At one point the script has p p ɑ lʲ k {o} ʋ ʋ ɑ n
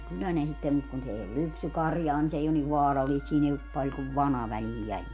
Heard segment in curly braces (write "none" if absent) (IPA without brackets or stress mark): u